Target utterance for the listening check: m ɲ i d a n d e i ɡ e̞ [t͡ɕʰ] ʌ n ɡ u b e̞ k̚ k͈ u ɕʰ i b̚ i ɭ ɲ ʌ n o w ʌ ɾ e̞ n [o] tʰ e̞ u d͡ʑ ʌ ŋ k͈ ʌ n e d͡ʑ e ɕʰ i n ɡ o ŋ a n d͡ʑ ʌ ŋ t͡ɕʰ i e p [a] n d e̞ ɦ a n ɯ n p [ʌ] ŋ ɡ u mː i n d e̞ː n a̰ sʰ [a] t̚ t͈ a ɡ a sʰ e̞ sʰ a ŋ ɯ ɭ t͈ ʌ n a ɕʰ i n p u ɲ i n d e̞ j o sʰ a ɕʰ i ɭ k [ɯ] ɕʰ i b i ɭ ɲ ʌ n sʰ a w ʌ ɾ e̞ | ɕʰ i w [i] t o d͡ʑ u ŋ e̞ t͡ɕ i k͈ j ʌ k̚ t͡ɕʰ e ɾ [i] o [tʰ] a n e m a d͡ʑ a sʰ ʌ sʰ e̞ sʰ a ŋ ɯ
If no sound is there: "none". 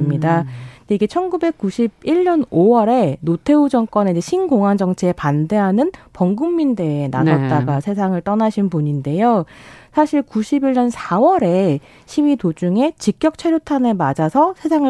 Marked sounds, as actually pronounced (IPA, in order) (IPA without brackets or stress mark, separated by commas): t͡ɕʰ, o, a, ʌ, ʌ, u, i, j, tʰ